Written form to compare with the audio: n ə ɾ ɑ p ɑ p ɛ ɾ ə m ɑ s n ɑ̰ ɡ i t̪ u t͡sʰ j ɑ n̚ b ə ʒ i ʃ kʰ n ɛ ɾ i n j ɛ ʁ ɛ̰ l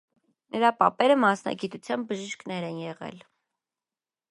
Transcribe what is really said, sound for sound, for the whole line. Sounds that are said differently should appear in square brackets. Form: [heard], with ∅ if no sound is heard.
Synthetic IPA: n ə ɾ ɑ p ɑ p ɛ ɾ ə m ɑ s n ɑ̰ ɡ i t̪ u t͡sʰ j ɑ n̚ b ə ʒ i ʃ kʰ n ɛ ɾ [ɛ] n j ɛ ʁ ɛ̰ l